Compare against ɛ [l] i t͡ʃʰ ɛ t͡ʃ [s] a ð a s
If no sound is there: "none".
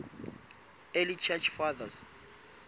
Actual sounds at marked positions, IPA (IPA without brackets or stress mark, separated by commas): l, f